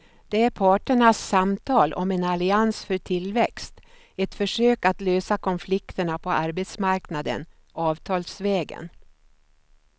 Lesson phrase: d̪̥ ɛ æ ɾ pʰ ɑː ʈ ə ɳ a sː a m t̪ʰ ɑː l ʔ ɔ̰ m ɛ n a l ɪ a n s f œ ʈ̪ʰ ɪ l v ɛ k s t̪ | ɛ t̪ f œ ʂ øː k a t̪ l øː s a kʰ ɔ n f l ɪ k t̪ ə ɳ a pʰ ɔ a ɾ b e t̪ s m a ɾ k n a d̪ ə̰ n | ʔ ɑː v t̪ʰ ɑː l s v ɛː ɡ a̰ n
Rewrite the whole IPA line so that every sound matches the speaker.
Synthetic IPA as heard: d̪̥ ɛ æ ɾ pʰ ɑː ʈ ə ɳ a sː a m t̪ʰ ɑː l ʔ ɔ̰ m ɛ n a l ɪ a n s f œ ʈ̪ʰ ɪ l v ɛ k s t̪ | ɛ t̪ f œ ʂ øː k a t̪ l øː s a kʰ ɔ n f l ɪ k t̪ ə ɳ a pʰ ɔ a ɾ b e t̪ s m a ɾ k n a d̪ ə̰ n | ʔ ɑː v t̪ʰ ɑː l s v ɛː ɡ ə̰ n